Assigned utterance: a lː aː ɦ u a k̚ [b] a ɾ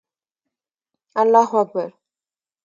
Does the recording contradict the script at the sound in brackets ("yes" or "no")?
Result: no